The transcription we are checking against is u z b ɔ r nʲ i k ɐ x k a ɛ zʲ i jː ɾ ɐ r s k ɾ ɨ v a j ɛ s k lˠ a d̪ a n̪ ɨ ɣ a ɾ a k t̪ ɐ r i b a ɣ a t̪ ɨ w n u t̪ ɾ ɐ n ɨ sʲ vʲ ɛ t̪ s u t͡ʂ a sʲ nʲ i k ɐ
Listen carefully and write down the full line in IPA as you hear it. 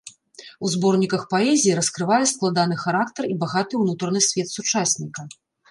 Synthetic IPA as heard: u z b ɔ r nʲ i k ɐ x p a ɛ zʲ i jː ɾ ɐ s k ɾ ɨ v a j ɛ s k lˠ a d̪ a n̪ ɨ x a ɾ a k t̪ ɐ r i b a ɣ a t̪ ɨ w n u t̪ ɾ ɐ n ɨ sʲ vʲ ɛ t̪ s u t͡ʂ a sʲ nʲ i k ɐ